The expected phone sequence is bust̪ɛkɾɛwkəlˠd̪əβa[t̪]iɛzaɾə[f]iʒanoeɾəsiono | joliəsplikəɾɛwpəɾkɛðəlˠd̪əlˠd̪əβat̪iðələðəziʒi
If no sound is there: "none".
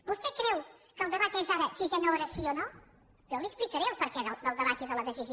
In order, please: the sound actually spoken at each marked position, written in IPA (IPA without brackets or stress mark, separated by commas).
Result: t̪, s